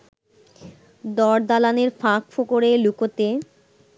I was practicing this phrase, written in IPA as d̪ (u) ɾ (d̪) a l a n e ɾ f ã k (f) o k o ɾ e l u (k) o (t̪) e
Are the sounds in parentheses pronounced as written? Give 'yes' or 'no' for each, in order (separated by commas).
no, yes, yes, yes, yes